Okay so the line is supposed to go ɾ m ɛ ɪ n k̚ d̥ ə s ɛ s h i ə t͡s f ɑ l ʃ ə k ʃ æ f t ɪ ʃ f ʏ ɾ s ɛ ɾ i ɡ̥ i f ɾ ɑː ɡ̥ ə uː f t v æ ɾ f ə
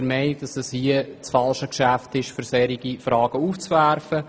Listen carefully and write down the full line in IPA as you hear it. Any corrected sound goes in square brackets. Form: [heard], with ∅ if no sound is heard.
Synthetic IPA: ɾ m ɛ ɪ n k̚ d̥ [ɑ] s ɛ s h i ə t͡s f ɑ l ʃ ə k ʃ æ f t ɪ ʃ f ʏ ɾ s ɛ ɾ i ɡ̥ i f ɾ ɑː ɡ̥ ə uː f [t͡s] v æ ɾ f ə